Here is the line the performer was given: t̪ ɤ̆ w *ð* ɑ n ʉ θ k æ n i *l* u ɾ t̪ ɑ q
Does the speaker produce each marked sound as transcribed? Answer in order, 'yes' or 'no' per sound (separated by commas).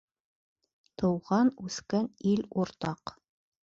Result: no, yes